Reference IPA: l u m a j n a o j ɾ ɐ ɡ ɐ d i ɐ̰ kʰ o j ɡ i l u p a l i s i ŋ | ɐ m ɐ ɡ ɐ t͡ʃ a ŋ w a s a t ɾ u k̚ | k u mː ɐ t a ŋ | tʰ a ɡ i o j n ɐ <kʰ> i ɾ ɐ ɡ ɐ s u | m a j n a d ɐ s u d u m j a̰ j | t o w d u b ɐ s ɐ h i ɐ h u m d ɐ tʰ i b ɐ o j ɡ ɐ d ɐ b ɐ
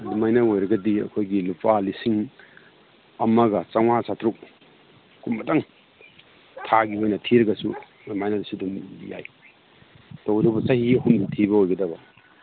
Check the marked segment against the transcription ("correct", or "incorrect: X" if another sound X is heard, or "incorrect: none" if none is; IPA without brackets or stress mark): incorrect: tʰ